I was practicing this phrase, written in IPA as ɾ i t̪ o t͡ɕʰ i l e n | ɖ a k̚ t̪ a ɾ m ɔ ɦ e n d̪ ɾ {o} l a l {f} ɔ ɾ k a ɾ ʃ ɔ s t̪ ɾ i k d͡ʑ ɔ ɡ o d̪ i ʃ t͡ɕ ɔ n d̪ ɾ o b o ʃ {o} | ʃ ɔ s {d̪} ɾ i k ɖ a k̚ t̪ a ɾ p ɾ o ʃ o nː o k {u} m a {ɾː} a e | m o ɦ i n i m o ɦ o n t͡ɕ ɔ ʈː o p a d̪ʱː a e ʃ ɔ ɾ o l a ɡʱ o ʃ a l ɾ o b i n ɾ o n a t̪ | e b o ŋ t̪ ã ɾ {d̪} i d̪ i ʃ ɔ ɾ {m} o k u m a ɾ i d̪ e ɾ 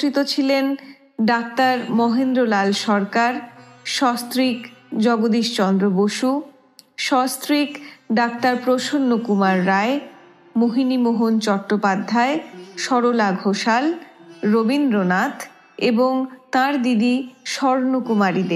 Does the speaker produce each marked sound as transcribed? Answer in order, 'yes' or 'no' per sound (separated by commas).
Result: yes, no, no, no, yes, yes, yes, no